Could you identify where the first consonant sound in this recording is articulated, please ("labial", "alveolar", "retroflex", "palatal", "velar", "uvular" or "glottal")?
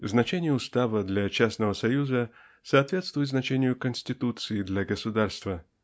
alveolar